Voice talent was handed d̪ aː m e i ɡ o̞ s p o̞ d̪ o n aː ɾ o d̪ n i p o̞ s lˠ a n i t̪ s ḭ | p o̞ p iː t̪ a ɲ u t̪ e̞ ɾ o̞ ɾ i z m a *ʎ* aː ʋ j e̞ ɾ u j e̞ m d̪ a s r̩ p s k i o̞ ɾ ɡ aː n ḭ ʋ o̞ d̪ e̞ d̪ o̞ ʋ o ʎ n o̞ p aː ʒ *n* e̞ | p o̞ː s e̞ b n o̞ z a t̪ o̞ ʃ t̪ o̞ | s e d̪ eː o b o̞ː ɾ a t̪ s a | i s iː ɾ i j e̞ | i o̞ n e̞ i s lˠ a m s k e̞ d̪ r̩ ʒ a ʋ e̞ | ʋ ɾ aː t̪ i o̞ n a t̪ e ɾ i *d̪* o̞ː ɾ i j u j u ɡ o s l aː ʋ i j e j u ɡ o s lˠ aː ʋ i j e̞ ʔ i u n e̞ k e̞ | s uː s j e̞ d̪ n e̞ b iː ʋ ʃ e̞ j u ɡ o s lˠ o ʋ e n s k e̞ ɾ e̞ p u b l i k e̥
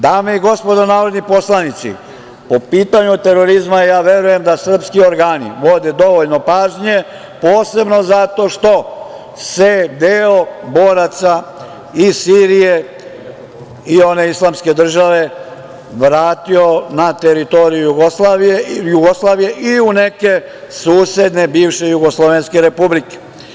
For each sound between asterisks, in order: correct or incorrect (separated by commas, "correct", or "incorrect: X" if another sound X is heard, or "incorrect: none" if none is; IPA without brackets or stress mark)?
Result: incorrect: j, incorrect: ɲ, incorrect: t̪